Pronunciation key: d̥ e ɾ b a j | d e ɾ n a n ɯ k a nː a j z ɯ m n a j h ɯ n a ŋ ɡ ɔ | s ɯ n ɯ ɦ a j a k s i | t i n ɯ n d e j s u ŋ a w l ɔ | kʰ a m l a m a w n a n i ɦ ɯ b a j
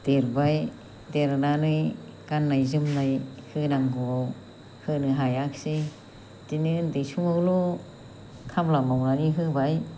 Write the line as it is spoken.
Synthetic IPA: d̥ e ɾ b a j | d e ɾ n a n ɯ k a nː a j z ɯ m n a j h ɯ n a ŋ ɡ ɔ | h ɯ n ɯ ɦ a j a k s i | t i n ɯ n d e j s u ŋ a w l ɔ | kʰ a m l a m a w n a n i ɦ ɯ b a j